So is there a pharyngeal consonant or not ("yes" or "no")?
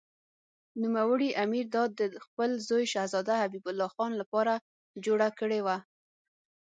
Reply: no